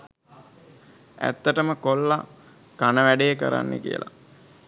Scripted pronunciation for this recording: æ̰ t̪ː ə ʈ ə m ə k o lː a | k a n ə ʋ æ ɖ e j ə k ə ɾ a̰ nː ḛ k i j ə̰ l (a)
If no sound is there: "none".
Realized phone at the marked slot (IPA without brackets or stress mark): a